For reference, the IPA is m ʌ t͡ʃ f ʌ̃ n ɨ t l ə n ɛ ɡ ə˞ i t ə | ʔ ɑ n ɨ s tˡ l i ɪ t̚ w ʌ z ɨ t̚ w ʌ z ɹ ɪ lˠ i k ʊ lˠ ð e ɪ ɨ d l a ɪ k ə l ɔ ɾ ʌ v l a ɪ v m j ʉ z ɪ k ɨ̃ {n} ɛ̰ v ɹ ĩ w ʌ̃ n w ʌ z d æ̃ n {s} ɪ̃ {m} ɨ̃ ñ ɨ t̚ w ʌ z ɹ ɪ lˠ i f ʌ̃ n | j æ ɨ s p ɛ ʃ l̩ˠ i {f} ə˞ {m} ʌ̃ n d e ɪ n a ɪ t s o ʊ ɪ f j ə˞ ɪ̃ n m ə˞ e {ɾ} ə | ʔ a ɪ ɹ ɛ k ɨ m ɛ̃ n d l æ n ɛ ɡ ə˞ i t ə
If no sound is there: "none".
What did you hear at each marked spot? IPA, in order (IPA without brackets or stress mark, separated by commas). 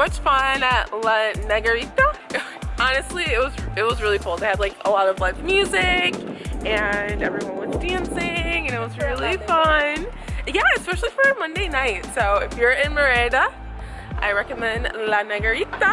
n, s, ŋ, f, m, ɾ